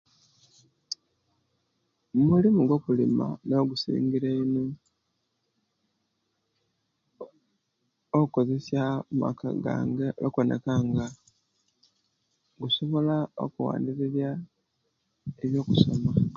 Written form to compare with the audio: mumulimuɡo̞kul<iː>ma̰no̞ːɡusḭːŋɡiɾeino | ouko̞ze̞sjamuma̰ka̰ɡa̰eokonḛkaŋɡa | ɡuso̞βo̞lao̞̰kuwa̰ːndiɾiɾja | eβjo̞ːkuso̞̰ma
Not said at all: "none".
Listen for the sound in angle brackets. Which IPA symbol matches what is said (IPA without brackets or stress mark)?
i